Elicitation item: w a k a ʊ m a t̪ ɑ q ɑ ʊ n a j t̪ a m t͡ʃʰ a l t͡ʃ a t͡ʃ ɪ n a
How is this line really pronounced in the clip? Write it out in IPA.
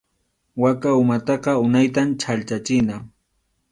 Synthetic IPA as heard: w a k a ʊ m a t̪ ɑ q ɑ ʊ n a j t̪ a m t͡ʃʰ a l t͡ʃ a t͡ʃ ɪ n a

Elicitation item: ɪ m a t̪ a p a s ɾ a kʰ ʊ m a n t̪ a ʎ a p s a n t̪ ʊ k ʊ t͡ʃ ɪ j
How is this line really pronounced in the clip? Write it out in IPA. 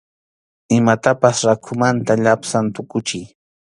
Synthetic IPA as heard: ɪ m a t̪ a p a s ɾ a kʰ ʊ m a n t̪ a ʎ a p s a n t̪ ʊ k ʊ t͡ʃ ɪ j

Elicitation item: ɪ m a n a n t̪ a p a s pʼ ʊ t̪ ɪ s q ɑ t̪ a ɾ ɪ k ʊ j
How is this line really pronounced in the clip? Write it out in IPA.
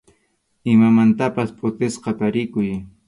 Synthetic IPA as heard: ɪ m a m a n t̪ a p a s pʼ ʊ t̪ ɪ s q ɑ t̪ a ɾ ɪ k ʊ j

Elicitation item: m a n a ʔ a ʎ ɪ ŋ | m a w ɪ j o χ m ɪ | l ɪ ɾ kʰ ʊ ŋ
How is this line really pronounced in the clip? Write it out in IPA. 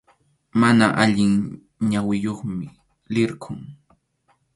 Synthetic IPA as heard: m a n a ʔ a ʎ ɪ ŋ | ɲ a w ɪ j o χ m ɪ | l ɪ ɾ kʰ ʊ ŋ

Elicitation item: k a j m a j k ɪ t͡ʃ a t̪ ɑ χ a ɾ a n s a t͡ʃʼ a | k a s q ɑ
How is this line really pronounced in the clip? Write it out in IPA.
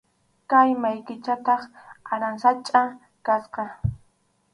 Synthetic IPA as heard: k a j m a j k ɪ t͡ʃ a t̪ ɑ χ a ɾ a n s a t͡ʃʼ a | k a s q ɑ

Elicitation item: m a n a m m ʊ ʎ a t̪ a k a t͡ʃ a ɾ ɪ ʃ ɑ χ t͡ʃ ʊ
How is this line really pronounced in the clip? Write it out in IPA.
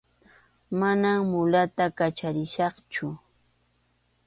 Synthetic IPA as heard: m a n a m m ʊ l a t̪ a k a t͡ʃ a ɾ ɪ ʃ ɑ χ t͡ʃ ʊ

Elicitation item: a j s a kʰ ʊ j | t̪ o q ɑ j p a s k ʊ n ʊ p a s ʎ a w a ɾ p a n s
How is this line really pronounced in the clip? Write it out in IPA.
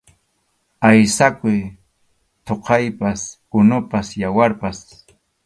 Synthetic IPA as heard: a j s a k ʊ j | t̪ o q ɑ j p a s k ʊ n ʊ p a s j a w a ɾ p a s

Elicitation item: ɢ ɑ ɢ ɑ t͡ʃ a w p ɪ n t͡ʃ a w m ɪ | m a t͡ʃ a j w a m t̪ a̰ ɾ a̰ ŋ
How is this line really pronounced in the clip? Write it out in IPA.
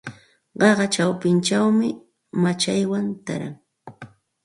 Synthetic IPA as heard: ɢ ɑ ɢ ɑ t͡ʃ a w p ɪ n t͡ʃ a w m ɪ | m a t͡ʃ a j w a n t̪ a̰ ɾ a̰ ŋ

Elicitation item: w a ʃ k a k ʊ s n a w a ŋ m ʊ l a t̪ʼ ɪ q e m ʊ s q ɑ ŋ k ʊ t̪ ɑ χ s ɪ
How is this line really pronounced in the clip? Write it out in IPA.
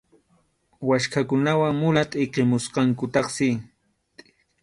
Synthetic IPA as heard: w a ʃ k a k ʊ n a w a ŋ m ʊ l a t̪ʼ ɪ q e m ʊ s q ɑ ŋ k ʊ t̪ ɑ χ s ɪ

